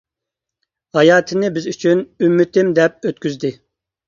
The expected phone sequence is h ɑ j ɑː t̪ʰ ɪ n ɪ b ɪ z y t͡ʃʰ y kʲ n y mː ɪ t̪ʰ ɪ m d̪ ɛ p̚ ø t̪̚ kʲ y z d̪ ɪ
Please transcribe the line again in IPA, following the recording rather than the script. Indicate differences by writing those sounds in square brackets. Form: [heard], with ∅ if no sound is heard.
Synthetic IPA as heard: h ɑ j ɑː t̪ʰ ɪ n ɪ b ɪ z y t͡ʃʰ y [∅] n y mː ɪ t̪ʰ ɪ m d̪ ɛ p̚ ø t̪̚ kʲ y z d̪ ɪ